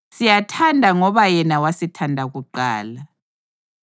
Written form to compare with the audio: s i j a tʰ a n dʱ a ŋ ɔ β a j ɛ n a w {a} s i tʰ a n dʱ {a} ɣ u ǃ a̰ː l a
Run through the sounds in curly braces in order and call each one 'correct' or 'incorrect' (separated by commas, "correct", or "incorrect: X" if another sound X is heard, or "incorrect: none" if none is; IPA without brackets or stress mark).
correct, correct